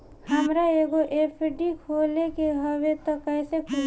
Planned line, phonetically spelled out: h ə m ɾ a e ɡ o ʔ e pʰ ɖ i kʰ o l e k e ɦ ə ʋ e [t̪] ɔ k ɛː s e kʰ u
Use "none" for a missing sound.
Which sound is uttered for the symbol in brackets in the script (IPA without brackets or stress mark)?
t̪